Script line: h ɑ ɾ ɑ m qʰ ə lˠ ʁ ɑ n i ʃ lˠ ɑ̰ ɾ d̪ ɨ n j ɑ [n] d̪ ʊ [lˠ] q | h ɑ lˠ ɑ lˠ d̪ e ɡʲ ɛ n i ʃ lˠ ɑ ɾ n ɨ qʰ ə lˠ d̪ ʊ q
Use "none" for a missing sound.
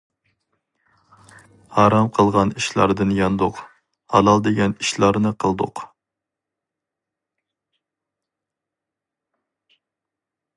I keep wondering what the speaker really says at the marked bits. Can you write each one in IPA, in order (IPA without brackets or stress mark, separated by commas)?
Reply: n, none